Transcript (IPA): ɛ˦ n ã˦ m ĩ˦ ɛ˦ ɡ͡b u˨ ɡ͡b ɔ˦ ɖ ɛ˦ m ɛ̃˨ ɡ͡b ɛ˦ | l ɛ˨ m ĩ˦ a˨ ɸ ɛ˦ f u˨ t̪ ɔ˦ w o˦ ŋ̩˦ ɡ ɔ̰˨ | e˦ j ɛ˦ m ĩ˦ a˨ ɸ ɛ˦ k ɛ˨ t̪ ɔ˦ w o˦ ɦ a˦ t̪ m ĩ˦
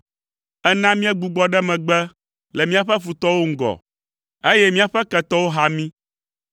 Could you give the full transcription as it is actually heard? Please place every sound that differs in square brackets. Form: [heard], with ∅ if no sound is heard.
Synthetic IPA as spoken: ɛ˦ n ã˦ m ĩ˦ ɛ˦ ɡ͡b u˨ ɡ͡b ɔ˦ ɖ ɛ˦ m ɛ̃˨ ɡ͡b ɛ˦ | l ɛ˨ m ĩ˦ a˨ ɸ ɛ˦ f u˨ t̪ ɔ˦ w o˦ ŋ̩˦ ɡ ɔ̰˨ | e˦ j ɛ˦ m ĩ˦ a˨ ɸ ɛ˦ k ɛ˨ t̪ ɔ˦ w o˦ ɦ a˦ [∅] m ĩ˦